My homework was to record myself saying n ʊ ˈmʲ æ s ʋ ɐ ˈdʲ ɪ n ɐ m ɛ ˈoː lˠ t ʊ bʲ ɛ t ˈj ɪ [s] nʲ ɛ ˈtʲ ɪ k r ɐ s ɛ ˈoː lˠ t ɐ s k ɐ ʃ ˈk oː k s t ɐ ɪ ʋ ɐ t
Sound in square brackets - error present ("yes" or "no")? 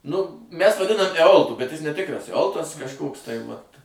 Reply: no